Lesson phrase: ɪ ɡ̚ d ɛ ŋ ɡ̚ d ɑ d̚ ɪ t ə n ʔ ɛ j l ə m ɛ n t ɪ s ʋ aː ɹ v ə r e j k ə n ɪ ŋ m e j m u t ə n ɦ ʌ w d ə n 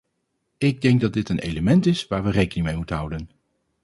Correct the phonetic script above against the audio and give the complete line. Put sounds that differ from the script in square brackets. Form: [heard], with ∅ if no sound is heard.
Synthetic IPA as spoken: ɪ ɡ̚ d ɛ ŋ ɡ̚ d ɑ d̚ ɪ t ə n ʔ [e] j l ə m ɛ n t ɪ s ʋ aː ɹ [ʋ] ə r e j k ə n ɪ ŋ m e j m u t ə n ɦ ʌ w d ə n